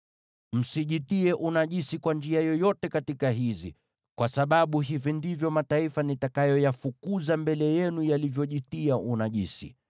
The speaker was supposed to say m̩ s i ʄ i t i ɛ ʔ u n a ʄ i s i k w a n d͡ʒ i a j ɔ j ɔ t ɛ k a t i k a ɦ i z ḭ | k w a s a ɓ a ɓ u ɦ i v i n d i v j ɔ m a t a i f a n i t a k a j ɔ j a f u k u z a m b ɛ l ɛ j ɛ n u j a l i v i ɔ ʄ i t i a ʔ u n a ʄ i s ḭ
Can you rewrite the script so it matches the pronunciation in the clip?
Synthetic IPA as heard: m̩ s i ʄ i t i ɛ ʔ u n a ʄ i s i k w a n d͡ʒ i a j ɔ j ɔ t ɛ k a t i k a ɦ i z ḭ | k w a s a ɓ a ɓ u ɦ i v i n d i v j ɔ m a t a i f a n i t a k a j ɔ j a f u k u z a m b ɛ l ɛ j ɛ n u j a l i v j ɔ ʄ i t i a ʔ u n a ʄ i s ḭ